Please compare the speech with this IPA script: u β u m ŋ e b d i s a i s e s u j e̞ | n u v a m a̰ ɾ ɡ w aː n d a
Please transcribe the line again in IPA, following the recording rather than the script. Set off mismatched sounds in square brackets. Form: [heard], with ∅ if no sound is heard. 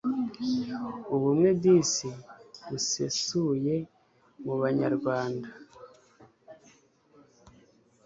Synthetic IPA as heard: u β u m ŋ e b d i s [i] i s e s u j e̞ | [m] u [β] a [ɲ] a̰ ɾ ɡ w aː n d a